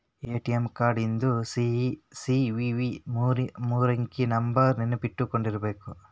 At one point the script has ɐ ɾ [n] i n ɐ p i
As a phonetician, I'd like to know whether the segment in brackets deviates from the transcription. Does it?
no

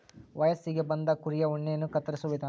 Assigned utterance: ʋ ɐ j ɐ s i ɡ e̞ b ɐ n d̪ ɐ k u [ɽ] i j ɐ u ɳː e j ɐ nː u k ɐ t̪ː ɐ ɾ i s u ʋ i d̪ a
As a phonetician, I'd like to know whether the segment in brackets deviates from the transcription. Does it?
yes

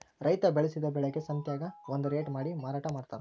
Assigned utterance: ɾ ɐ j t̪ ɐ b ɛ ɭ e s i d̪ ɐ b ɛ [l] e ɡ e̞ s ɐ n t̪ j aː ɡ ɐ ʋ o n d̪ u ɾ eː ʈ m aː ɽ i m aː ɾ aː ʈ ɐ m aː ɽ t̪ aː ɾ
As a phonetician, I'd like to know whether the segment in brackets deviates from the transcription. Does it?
yes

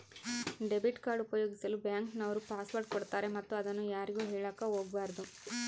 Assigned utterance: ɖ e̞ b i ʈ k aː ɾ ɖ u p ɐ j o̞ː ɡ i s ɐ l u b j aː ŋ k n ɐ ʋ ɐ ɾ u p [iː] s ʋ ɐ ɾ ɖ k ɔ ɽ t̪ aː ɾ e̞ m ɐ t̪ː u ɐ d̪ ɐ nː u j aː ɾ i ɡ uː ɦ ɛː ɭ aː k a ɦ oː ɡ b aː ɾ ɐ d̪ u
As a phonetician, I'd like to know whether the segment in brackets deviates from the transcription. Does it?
yes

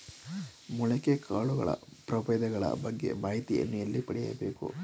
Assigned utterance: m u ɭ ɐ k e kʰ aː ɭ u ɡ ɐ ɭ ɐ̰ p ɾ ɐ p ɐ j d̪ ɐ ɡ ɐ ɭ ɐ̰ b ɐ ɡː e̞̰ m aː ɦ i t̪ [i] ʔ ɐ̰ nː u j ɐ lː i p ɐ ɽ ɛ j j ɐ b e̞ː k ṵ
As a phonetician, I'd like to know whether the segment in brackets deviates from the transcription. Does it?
no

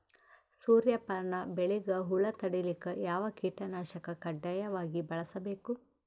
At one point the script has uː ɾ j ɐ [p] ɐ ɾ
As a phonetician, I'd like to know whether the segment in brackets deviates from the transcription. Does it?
no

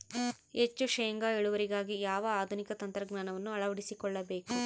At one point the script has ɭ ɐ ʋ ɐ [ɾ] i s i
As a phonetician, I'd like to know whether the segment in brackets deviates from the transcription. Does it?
yes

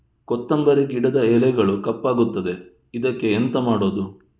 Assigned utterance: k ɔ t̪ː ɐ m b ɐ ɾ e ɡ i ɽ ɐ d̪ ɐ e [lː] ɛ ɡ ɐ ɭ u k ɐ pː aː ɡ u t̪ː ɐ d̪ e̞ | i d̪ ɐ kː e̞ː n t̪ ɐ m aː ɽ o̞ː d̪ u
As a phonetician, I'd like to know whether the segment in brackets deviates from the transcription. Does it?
yes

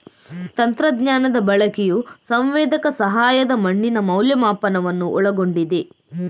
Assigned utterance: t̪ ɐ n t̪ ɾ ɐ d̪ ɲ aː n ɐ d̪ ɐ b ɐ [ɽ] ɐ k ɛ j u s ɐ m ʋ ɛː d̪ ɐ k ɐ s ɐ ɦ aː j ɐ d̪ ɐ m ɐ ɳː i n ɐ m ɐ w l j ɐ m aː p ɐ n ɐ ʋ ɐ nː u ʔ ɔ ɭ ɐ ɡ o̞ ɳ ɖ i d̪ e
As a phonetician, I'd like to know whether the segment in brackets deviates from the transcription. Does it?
yes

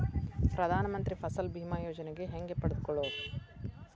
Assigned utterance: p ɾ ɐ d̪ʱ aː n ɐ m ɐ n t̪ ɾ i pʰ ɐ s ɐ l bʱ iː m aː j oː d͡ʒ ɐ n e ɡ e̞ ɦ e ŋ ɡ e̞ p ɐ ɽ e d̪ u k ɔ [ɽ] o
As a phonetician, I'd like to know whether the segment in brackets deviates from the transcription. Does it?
yes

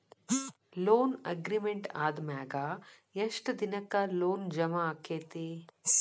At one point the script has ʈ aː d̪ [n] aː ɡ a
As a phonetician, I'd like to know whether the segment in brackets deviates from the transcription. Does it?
yes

